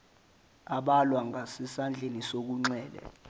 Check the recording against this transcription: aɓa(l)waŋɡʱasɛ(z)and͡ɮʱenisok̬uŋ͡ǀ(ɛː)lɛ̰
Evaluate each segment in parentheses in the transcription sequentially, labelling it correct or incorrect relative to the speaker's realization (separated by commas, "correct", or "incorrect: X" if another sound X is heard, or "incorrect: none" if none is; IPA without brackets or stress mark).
correct, incorrect: s, correct